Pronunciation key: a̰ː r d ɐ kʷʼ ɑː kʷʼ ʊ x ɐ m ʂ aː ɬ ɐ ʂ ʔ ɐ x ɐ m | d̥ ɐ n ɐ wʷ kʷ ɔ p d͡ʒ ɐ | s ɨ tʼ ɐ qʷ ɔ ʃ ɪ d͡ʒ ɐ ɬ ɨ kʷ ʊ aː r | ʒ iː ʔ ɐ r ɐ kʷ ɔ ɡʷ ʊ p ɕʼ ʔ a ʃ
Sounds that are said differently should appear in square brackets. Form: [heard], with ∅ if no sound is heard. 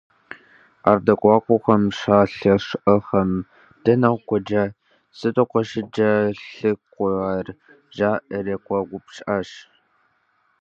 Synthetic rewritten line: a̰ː r d ɐ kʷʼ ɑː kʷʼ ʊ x ɐ m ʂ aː ɬ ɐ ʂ ʔ ɐ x ɐ m | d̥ ɐ n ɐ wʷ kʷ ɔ [∅] d͡ʒ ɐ | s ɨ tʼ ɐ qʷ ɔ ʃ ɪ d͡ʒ ɐ ɬ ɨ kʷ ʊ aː r | ʒ [aː] ʔ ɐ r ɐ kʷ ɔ ɡʷ ʊ p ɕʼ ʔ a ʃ